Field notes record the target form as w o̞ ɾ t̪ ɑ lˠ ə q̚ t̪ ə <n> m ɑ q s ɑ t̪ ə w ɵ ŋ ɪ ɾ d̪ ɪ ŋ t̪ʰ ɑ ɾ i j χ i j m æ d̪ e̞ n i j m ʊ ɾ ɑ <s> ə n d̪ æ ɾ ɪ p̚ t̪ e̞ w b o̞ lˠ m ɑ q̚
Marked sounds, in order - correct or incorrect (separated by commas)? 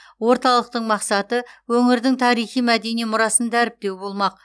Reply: incorrect, correct